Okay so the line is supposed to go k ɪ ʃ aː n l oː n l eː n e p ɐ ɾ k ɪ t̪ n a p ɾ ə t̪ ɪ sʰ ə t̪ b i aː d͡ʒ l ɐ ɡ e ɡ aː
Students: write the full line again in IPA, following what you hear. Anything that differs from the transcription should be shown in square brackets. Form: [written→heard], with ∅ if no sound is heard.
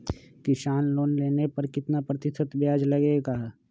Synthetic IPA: k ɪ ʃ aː n l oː n l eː n e p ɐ ɾ k ɪ t̪ n a p ɾ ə t̪ ɪ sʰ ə t̪ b [i→j] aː d͡ʒ l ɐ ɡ e ɡ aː